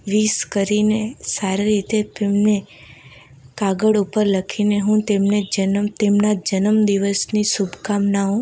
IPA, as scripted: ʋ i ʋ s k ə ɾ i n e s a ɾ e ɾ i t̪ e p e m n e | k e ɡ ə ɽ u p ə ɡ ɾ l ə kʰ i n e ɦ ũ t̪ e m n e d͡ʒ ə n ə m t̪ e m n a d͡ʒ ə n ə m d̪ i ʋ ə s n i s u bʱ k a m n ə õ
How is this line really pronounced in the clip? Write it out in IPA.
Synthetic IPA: ʋ i s k ə ɾ i n e s a ɾ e ɾ i t̪ e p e m n e | k a ɡ ə ɽ u p ə ɾ l ə kʰ i n e ɦ ũ t̪ e m n e d͡ʒ ə n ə m t̪ e m n a d͡ʒ ə n ə m d̪ i ʋ ə s n i s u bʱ k a m n a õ